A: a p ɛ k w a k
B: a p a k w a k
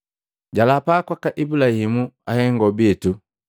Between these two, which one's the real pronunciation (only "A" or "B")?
B